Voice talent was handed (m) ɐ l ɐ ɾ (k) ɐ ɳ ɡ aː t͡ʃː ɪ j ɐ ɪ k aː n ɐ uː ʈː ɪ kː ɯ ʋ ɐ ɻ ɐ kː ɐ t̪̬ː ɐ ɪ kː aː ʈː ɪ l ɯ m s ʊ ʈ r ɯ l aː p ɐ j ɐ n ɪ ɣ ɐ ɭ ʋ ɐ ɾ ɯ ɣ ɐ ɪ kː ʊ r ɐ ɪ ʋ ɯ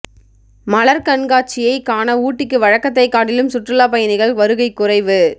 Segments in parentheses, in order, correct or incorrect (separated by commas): correct, correct